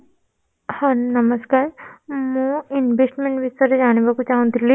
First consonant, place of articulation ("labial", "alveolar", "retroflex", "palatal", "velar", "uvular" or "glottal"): glottal